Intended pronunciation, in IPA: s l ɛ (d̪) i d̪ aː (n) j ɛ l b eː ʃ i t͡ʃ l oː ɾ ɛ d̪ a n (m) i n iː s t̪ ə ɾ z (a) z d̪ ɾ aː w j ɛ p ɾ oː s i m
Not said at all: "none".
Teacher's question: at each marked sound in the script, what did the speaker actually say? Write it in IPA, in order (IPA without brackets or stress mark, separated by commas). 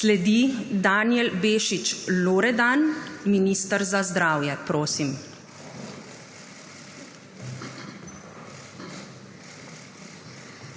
d̪, n, m, a